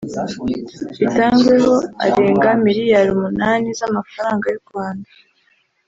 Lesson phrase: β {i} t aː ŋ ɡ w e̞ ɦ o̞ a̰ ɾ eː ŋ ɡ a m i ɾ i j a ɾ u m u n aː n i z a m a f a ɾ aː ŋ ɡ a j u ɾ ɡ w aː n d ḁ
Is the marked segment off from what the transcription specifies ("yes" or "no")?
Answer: no